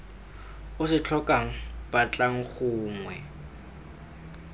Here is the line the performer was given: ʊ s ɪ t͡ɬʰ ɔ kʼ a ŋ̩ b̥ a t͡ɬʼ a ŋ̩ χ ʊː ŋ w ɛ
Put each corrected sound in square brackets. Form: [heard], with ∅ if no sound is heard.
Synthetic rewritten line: ʊ s ɪ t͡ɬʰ ɔ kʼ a ŋ̩ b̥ a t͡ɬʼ a ŋ̩ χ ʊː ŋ w ɛ